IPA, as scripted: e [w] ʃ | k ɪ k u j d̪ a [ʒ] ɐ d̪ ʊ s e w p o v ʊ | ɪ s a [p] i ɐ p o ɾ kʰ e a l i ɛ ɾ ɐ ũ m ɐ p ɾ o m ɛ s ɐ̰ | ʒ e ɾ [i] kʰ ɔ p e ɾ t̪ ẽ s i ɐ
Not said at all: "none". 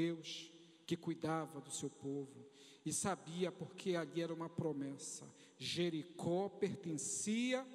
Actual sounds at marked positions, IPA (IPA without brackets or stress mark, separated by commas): w, v, b, i